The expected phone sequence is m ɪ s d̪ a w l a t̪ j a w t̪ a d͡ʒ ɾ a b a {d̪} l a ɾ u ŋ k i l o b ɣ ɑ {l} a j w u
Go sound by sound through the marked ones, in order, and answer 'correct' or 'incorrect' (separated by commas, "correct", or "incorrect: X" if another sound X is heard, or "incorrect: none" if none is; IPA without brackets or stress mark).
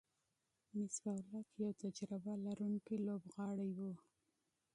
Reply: incorrect: none, incorrect: ɽ